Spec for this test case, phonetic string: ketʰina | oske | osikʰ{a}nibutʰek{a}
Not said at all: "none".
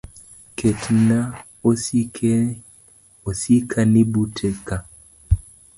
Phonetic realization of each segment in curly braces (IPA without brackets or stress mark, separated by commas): a, a